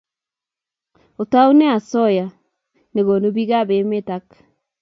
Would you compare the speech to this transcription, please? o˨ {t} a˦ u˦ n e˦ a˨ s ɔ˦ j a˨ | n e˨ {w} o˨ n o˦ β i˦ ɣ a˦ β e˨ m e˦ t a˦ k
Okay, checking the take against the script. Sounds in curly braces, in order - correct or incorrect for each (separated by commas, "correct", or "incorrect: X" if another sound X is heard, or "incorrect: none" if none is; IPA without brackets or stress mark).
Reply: correct, incorrect: ɣ